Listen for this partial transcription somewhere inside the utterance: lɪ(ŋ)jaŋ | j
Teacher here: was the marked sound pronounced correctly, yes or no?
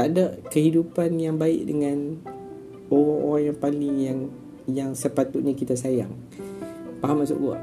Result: yes